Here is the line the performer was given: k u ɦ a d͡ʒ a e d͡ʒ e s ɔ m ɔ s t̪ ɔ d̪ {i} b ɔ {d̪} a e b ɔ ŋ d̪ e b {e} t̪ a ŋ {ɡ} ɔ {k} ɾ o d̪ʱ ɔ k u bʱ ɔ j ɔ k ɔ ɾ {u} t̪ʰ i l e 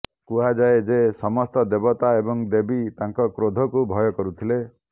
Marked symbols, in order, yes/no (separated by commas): no, no, no, no, yes, yes